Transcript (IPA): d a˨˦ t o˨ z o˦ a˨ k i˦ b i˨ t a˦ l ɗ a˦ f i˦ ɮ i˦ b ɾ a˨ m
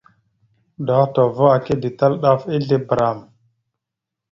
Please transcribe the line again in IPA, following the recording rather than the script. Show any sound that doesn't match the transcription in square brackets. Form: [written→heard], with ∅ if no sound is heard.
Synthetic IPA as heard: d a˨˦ t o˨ [z→v] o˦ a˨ k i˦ [b→d] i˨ t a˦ l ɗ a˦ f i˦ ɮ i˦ b ɾ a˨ m